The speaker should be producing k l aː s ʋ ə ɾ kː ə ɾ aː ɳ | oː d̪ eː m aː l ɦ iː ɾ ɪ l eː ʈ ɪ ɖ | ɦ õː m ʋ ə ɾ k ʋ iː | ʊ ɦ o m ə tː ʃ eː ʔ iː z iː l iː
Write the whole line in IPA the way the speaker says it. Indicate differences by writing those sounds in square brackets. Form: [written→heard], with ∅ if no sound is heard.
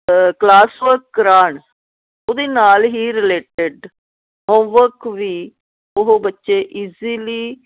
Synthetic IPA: k l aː s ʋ ə ɾ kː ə ɾ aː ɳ | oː d̪ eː [m→n] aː l ɦ iː ɾ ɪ l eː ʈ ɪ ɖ | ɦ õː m ʋ ə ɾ k ʋ iː | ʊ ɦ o [m→b] ə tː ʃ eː ʔ iː z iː l iː